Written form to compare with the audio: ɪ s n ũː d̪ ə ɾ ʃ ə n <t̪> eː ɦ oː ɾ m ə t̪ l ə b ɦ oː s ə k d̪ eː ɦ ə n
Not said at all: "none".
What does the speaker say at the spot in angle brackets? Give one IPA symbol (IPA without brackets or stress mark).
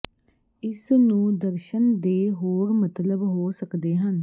d̪